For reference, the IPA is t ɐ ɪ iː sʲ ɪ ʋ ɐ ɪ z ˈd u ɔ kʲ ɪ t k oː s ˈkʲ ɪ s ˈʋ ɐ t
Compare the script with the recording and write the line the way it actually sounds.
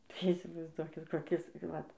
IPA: t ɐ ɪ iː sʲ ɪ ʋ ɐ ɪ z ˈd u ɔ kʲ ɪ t k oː ˈkʲ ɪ s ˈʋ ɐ t